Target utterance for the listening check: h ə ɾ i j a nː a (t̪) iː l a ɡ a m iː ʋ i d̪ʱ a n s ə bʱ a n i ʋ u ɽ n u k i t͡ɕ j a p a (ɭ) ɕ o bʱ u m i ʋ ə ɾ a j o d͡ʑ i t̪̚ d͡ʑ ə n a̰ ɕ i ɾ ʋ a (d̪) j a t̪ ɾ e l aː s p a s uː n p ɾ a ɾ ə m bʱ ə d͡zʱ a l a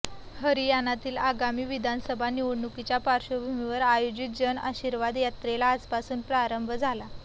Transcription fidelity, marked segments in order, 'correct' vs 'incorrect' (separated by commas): correct, incorrect, correct